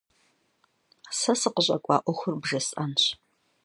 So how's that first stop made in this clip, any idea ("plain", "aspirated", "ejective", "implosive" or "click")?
plain